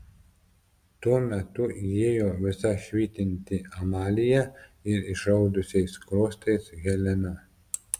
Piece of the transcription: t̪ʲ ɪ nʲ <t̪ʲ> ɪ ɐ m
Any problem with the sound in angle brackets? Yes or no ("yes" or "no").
no